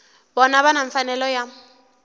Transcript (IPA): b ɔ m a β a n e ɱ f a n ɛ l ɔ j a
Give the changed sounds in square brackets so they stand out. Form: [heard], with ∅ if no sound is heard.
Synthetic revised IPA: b ɔ [n] a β a n [a] ɱ f a n ɛ l ɔ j a